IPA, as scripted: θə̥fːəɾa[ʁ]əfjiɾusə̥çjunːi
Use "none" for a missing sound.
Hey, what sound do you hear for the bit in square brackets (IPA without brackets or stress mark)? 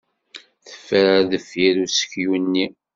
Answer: ð